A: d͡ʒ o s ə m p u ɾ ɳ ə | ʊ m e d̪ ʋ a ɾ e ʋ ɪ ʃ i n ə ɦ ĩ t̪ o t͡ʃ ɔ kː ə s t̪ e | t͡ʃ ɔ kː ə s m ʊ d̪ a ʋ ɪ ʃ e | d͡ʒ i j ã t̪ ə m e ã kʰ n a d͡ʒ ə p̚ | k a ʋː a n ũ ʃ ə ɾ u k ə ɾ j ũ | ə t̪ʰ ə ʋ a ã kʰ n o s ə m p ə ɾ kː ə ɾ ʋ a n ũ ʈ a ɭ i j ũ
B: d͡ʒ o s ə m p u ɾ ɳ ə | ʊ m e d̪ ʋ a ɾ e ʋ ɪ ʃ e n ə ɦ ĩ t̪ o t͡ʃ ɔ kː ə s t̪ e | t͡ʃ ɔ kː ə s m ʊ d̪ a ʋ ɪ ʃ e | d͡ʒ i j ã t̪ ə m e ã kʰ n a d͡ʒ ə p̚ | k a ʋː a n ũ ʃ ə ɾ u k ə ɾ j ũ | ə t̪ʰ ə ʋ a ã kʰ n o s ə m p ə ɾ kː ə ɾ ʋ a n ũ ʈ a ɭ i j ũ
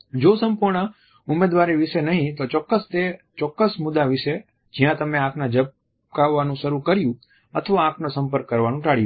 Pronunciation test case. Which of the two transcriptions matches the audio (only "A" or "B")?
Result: B